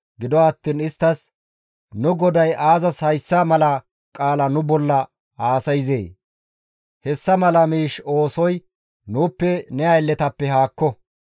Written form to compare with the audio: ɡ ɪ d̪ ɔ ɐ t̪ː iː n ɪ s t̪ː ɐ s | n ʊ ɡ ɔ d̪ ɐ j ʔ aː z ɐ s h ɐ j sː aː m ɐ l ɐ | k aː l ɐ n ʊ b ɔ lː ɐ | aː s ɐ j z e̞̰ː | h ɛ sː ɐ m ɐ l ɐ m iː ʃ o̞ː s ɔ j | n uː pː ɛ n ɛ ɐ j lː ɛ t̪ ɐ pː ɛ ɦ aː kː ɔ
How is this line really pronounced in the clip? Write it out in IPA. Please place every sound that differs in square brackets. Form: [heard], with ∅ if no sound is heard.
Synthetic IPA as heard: ɡ ɪ d̪ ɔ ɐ t̪ː iː n ɪ s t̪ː ɐ s | n ʊ ɡ ɔ d̪ ɐ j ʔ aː z ɐ s h ɐ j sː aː m ɐ l ɐ | [kʼ] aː l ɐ n ʊ b ɔ lː ɐ | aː s ɐ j z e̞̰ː | h ɛ sː ɐ m ɐ l ɐ m iː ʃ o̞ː s ɔ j | n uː pː ɛ n ɛ ɐ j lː ɛ t̪ ɐ pː ɛ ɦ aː kː ɔ